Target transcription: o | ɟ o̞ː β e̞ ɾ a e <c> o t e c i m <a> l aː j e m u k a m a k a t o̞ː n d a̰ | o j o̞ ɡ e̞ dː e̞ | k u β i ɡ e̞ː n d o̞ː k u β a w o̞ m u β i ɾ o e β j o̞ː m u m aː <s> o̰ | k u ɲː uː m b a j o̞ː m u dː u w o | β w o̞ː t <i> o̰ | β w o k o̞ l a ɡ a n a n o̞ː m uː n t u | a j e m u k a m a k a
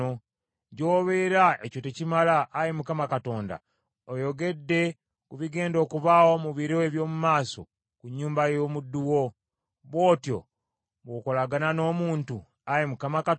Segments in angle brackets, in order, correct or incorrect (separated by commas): correct, correct, correct, incorrect